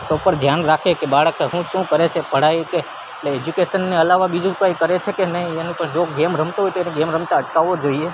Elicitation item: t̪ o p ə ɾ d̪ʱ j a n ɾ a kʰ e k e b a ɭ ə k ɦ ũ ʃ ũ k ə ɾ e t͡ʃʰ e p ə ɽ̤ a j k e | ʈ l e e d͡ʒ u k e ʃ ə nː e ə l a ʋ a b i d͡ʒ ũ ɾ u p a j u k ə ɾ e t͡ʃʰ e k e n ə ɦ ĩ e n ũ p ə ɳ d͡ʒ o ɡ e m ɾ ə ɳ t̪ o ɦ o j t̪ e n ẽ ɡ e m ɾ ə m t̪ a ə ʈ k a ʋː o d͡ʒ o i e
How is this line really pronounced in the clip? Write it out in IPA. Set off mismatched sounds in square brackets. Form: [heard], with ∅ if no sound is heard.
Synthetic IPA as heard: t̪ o p ə ɾ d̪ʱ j a n ɾ a kʰ e k e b a ɭ ə k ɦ ũ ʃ ũ k ə ɾ e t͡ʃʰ e p ə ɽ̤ a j k e | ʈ l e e d͡ʒ u k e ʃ ə nː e ə l a ʋ a b i d͡ʒ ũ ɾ u p a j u k ə ɾ e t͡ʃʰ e k e n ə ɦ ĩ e n ũ p ə ɳ d͡ʒ o ɡ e m ɾ ə [m] t̪ o ɦ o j t̪ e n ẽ ɡ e m ɾ ə m t̪ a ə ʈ k a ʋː o d͡ʒ o i e

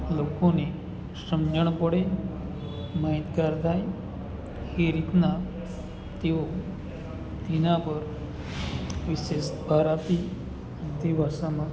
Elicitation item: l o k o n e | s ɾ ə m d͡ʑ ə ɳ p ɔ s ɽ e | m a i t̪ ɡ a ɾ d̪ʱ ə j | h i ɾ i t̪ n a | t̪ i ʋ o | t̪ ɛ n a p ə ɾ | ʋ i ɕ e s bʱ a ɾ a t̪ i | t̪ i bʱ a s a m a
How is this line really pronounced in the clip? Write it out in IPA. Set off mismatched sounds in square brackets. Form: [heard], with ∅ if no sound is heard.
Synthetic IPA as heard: l o k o n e | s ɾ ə m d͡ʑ ə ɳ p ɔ [∅] ɽ e | m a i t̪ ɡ a ɾ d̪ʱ [a] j | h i ɾ i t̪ n a | t̪ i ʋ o | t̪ [i] n a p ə ɾ | ʋ i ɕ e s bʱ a ɾ a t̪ i | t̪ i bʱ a s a m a

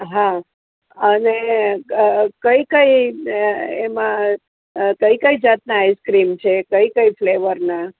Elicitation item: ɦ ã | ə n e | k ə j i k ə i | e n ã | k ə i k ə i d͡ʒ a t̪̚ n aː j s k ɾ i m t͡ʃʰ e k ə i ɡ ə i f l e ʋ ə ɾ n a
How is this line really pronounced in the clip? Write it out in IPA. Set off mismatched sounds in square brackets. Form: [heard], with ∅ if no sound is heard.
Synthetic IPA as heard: ɦ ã | ə n e | k ə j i k ə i | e [m] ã | k ə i k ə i d͡ʒ a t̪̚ n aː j s k ɾ i m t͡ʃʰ e k ə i [k] ə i f l e ʋ ə ɾ n a

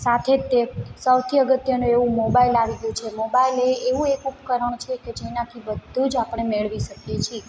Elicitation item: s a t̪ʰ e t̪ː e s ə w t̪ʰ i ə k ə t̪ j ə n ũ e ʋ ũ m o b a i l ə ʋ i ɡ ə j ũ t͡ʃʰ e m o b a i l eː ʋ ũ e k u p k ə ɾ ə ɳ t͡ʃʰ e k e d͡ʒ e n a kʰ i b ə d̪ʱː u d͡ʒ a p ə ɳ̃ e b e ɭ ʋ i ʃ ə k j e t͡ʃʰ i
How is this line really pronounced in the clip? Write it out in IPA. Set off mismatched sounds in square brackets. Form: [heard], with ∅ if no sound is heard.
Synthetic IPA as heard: s a t̪ʰ e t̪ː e s ə w t̪ʰ i ə [ɡ] ə t̪ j ə n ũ e ʋ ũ m o b a i l [a] ʋ i ɡ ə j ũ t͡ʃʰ e m o b a i l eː ʋ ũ e k u p k ə ɾ ə ɳ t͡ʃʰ e k e d͡ʒ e n a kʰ i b ə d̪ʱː u d͡ʒ a p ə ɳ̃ e [m] e ɭ ʋ i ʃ ə k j e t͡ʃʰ i

